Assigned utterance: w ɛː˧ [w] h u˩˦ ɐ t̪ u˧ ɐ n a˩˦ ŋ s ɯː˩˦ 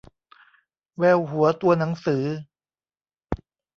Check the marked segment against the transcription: correct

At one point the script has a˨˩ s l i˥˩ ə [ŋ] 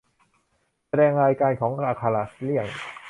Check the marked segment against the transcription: correct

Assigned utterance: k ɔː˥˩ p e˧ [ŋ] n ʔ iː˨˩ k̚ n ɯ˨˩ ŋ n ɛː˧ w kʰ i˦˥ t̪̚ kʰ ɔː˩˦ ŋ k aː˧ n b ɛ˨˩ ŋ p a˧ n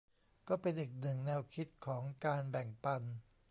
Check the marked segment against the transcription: incorrect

